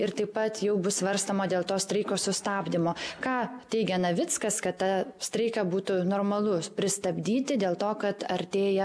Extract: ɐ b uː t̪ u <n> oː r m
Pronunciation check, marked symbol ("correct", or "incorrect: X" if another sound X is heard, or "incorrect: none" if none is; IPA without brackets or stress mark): correct